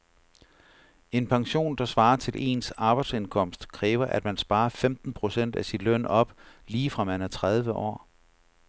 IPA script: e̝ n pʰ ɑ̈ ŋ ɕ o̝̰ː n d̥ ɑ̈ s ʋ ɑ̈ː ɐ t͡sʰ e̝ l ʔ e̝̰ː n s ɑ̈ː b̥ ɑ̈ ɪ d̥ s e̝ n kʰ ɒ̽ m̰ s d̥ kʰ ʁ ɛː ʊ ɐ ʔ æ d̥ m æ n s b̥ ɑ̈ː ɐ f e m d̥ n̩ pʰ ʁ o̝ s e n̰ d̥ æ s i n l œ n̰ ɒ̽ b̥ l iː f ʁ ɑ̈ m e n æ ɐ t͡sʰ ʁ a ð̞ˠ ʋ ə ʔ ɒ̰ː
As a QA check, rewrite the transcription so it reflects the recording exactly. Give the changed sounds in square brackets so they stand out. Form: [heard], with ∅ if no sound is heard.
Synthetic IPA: e̝ n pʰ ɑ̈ ŋ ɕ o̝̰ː n d̥ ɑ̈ s ʋ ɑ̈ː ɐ t͡sʰ e̝ l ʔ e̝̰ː n s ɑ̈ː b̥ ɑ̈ ɪ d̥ s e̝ n kʰ ɒ̽ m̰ s d̥ kʰ ʁ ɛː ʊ ɐ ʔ æ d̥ m æ n s b̥ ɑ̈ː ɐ f e m d̥ n̩ pʰ ʁ o̝ s e n̰ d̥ æ s i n l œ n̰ ɒ̽ b̥ l iː f ʁ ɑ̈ m [æ] n æ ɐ t͡sʰ ʁ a ð̞ˠ ʋ ə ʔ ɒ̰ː

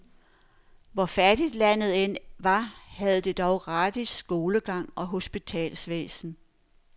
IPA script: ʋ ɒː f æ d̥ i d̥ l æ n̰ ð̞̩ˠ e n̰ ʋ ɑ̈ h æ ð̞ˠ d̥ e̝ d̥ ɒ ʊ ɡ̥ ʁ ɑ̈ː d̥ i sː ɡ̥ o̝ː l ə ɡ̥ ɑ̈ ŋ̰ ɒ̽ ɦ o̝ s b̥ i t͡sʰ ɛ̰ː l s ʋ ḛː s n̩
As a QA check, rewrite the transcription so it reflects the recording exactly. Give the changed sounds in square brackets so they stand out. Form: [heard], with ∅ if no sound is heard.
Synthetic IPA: ʋ [ɒ] f æ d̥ i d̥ l æ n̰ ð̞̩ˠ e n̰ ʋ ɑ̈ h æ ð̞ˠ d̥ e̝ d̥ ɒ ʊ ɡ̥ ʁ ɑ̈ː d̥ i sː ɡ̥ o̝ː l ə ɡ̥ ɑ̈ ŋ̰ ɒ̽ ɦ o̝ s b̥ i t͡sʰ ɛ̰ː l s ʋ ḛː s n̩

